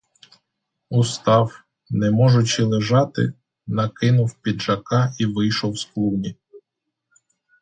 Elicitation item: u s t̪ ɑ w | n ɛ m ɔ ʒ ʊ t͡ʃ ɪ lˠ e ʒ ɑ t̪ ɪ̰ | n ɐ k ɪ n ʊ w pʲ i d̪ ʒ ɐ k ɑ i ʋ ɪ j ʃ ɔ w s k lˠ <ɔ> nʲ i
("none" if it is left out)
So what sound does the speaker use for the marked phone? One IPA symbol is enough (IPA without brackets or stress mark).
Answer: u